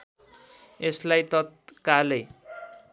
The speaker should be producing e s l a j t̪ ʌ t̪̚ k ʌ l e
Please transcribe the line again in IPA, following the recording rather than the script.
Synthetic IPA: e s l a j t̪ ʌ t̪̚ k a l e